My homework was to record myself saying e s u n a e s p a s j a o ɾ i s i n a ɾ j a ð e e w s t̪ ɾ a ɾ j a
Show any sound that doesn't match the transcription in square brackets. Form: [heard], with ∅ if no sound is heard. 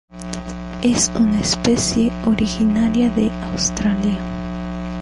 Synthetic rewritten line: e s u n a e s p [e] s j [e] o ɾ i [x] i n a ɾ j a ð e [a] w s t̪ ɾ a [l] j a